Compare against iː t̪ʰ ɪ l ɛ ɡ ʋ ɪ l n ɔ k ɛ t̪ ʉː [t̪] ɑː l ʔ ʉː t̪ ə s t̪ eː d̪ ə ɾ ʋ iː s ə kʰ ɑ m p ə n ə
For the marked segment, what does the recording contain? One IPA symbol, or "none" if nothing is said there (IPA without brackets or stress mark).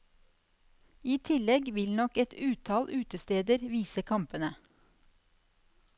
t̪ʰ